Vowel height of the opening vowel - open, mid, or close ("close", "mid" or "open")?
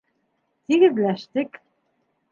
close